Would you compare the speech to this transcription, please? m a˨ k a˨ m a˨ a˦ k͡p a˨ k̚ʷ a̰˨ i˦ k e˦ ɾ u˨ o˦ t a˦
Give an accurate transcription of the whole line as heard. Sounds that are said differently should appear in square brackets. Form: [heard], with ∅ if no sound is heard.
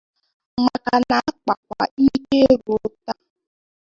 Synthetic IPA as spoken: m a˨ k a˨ [n] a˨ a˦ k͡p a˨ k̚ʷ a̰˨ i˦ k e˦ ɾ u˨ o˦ t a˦